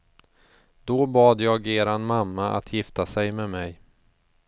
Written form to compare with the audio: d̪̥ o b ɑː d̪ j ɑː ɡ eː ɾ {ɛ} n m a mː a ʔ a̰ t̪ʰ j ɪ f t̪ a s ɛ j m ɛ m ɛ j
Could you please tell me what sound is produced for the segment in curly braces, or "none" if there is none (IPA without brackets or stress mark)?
a